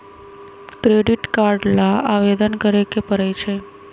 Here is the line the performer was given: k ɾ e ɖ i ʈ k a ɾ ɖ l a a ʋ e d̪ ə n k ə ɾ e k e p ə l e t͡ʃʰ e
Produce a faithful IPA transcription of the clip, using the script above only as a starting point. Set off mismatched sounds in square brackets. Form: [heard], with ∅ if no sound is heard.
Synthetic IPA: k ɾ e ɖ i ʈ k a ɾ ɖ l a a ʋ e d̪ ə n k ə ɾ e k e p ə [ɾ] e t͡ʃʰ e